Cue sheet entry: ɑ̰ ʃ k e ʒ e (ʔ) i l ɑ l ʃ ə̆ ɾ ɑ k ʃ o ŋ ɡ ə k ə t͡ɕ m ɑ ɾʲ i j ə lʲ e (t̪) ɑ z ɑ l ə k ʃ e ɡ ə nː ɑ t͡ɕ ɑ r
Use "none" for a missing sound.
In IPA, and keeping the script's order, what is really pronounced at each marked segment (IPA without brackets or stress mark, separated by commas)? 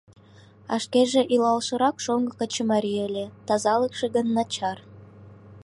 ʔ, t̪